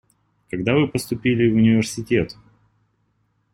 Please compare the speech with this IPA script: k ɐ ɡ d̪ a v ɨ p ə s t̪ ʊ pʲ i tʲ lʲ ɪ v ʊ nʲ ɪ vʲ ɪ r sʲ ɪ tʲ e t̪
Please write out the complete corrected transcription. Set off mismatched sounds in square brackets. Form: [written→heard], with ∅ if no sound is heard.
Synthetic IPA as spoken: k ɐ ɡ d̪ a v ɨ p ə s t̪ ʊ pʲ i [tʲ→∅] lʲ ɪ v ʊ nʲ ɪ vʲ ɪ r sʲ ɪ tʲ e t̪